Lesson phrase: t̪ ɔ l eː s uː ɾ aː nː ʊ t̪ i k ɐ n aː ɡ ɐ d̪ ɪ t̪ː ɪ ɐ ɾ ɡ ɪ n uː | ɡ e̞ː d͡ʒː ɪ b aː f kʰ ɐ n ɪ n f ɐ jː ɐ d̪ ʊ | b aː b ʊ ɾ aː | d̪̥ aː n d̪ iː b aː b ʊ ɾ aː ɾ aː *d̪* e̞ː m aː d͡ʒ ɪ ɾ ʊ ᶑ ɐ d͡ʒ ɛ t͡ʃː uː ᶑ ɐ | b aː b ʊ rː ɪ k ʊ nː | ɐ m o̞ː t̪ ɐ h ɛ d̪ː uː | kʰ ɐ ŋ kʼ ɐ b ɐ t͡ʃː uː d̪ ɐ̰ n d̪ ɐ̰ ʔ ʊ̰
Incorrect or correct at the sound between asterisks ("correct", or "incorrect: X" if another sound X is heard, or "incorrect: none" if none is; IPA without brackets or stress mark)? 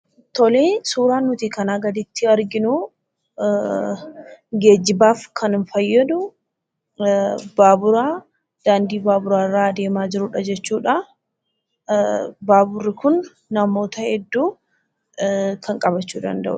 correct